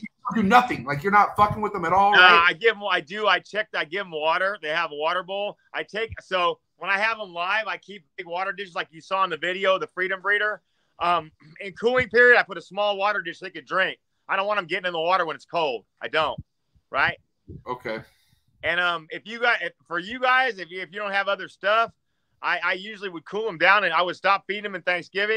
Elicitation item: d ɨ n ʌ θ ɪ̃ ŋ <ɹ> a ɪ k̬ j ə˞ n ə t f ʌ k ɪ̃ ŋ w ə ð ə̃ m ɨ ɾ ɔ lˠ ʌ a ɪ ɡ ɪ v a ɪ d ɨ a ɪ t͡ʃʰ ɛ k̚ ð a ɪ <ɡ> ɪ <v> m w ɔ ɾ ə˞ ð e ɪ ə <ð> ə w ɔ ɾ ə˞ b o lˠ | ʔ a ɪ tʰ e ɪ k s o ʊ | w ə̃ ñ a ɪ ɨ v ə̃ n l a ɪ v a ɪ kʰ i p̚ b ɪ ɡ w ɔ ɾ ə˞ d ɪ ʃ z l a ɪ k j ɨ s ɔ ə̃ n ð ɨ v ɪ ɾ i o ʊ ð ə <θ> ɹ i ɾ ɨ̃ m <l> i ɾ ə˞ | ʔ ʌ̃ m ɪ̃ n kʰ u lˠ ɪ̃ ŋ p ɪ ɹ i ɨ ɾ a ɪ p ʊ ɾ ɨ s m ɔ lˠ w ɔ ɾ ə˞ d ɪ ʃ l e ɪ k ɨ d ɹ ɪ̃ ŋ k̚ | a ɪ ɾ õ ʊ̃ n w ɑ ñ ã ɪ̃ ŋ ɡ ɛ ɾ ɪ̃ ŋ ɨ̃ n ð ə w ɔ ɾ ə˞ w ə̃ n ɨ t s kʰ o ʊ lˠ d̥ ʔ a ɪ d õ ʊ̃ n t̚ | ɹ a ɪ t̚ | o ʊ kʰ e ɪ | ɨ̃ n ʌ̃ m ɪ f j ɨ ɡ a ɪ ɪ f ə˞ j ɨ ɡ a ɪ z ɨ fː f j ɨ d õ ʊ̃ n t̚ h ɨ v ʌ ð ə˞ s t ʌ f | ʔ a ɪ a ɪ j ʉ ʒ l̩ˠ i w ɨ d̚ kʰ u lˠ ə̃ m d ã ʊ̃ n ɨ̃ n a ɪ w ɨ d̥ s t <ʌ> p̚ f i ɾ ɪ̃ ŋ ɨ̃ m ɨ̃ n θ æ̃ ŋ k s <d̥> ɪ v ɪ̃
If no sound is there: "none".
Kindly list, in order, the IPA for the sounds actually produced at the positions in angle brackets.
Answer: l, ɡ, v, v, f, ɹ, ɑ, ɡ̥

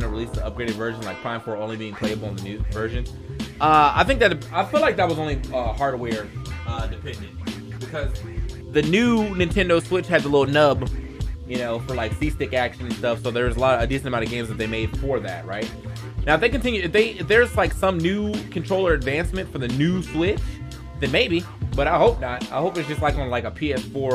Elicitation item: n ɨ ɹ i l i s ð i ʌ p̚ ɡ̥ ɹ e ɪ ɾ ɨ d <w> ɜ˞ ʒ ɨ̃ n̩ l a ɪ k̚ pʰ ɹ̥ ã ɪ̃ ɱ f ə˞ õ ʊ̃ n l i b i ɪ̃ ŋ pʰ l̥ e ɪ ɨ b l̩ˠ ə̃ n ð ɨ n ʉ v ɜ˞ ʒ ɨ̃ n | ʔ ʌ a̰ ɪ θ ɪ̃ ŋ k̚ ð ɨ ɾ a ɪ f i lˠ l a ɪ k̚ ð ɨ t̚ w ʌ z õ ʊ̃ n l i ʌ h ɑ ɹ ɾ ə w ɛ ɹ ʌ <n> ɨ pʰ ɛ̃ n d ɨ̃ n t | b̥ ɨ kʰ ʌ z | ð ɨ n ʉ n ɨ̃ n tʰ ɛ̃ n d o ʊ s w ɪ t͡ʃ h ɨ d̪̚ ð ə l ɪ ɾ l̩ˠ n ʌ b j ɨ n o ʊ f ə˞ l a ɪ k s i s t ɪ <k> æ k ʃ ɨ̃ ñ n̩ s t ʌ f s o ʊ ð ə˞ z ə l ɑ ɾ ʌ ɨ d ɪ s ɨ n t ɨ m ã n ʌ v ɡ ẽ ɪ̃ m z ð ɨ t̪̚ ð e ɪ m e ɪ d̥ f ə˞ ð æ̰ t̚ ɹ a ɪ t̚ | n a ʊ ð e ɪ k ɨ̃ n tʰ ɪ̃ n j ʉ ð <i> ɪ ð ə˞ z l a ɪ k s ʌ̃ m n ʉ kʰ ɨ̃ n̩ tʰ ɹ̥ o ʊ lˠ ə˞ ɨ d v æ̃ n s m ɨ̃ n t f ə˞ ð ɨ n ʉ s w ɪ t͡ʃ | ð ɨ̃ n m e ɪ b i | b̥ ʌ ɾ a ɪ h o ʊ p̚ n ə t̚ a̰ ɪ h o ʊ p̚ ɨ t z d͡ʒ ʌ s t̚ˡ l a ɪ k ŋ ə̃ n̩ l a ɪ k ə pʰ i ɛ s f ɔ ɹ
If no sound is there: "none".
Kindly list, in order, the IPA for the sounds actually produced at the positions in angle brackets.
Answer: v, d, k, e

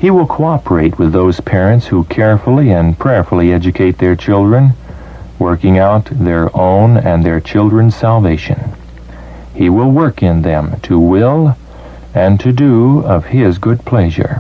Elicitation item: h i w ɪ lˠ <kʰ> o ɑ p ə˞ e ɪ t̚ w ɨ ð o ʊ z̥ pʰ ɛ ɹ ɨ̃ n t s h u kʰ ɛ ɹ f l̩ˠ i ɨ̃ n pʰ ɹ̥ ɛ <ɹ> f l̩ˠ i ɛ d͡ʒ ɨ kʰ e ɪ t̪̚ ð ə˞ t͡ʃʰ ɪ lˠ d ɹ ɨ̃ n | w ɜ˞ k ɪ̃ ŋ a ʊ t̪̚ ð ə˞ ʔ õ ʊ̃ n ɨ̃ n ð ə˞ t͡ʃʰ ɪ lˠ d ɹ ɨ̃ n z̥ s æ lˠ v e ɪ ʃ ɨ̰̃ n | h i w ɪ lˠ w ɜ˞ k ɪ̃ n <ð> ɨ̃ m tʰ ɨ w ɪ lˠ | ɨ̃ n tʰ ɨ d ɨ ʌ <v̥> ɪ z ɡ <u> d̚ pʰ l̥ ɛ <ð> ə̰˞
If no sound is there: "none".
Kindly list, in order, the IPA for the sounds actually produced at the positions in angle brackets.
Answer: kʰ, ɹ, ð, v̥, ʊ, ʒ

